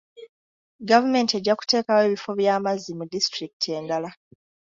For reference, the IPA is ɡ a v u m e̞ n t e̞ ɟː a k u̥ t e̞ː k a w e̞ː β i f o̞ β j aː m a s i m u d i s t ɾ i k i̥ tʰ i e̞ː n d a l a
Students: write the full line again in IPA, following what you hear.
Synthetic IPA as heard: ɡ a v u m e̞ n t e̞ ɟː a k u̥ t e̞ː k a w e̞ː β i f o̞ β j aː m a z i m u d i s t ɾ i k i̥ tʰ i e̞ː n d a l a